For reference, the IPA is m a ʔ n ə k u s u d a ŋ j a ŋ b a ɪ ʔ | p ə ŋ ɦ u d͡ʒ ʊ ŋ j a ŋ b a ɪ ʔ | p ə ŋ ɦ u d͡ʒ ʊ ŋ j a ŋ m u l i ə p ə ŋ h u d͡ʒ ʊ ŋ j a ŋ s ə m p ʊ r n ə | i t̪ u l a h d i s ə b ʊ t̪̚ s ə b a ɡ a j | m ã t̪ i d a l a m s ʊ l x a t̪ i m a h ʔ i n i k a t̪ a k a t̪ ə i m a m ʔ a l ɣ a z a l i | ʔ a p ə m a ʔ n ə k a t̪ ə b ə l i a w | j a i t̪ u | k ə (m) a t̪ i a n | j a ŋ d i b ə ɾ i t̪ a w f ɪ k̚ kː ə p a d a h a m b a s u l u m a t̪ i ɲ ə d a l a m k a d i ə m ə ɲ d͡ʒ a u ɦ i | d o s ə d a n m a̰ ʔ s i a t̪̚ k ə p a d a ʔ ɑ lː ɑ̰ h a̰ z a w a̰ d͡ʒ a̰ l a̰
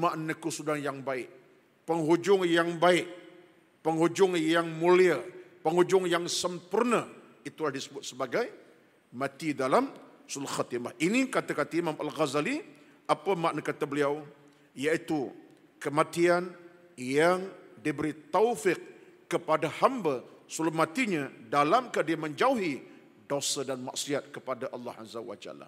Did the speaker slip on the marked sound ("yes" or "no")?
no